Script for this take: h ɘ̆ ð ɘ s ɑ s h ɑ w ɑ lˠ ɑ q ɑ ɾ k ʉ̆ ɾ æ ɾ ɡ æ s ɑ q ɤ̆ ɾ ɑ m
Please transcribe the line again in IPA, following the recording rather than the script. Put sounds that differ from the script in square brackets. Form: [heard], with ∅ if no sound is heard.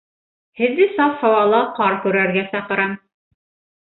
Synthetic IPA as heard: h ɘ̆ [ðː] ɘ s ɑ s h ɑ w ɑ lˠ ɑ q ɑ ɾ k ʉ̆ ɾ æ ɾ ɡ æ s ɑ q ɤ̆ ɾ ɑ m